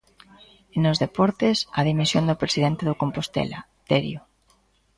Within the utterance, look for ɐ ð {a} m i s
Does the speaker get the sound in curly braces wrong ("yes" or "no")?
yes